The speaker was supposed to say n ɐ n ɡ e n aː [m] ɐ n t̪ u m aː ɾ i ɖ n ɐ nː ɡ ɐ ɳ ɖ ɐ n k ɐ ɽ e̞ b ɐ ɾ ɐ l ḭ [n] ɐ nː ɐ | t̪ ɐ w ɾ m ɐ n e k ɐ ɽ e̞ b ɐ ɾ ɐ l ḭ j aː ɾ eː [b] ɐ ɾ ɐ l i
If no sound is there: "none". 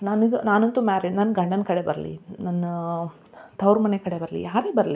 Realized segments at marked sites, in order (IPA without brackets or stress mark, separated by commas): n, n, b